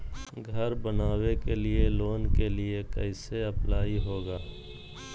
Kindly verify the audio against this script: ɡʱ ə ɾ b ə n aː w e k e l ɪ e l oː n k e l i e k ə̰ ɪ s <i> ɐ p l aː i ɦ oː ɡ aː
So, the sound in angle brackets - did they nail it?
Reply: no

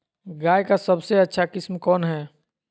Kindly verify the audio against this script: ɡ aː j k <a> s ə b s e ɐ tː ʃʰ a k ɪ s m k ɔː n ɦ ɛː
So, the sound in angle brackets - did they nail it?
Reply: yes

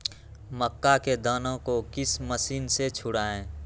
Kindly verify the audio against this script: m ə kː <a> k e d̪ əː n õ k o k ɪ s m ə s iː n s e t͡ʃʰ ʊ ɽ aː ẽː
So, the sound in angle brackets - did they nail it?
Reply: yes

